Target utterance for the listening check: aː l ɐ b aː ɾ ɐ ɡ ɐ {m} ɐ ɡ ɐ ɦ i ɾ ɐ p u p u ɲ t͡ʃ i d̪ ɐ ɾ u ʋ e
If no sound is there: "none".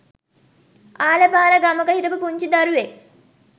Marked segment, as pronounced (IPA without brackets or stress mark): m